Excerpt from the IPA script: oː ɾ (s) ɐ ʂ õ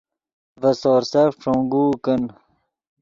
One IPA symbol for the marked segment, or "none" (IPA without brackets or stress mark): s